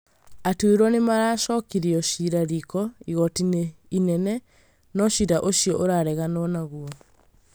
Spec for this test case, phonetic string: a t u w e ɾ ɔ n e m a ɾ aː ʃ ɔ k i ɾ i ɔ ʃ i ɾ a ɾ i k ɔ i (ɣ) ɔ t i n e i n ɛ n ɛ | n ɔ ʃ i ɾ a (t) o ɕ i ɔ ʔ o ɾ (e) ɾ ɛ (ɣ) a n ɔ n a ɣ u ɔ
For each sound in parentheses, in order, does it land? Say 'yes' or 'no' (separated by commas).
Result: yes, no, no, yes